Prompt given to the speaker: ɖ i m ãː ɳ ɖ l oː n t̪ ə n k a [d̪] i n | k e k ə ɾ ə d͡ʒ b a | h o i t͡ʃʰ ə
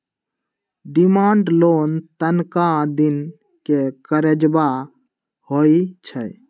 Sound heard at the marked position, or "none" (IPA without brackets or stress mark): d̪